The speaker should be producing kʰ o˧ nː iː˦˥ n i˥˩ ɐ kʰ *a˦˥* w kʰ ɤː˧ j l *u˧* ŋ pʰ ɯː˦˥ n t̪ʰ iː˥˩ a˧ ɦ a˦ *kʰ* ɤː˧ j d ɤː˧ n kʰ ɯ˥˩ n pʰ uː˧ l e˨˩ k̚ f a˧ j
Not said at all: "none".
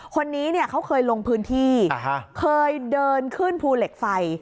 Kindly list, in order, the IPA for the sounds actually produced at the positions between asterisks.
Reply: a˦˥, o˧, kʰ

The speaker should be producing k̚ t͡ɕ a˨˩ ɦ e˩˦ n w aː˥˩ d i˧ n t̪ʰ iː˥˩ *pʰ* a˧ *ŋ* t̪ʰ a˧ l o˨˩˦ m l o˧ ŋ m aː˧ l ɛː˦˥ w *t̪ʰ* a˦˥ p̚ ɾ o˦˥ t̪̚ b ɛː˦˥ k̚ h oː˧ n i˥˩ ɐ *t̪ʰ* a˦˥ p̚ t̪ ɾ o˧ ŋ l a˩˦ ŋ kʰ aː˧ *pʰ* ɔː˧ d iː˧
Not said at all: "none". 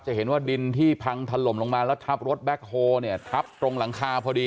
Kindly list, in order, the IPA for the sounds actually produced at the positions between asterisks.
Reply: pʰ, ŋ, t̪ʰ, t̪ʰ, pʰ

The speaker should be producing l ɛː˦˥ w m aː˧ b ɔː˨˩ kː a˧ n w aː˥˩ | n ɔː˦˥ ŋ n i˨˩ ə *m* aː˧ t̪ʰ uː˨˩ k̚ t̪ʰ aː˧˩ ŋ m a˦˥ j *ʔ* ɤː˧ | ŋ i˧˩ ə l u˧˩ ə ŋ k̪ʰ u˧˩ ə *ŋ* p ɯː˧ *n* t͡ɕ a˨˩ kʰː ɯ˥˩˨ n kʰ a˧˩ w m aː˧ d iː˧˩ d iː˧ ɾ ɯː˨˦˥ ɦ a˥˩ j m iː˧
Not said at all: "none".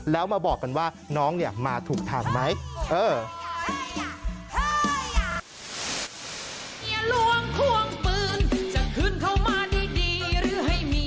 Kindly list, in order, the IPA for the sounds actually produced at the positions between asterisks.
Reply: m, ʔ, ŋ, n

